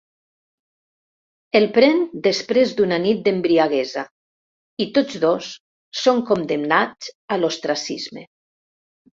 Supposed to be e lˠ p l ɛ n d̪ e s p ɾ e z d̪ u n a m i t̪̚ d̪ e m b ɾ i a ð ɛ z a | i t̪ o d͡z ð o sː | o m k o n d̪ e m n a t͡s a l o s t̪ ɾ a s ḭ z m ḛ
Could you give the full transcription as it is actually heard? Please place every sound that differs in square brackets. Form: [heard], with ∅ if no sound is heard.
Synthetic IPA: e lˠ p [ɾ] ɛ n d̪ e s p ɾ e z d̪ u n a [n] i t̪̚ d̪ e m b ɾ i a [ɣ] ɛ z a | i t̪ o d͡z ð o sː | o [ŋ] k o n d̪ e m n a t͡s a l o s t̪ ɾ a s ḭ z m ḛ